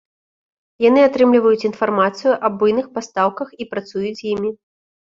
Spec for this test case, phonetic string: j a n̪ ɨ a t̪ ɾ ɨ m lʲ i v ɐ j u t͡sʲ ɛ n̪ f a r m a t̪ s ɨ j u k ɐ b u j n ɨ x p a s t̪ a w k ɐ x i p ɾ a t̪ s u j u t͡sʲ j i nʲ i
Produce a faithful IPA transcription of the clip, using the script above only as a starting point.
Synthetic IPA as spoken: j a n̪ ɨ a t̪ ɾ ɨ m lʲ i v ɐ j u t͡sʲ i n̪ f a r m a t̪ s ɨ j u ʔ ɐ b u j n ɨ x p a s t̪ a w k ɐ x i p ɾ a t̪ s u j u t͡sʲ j i mʲ i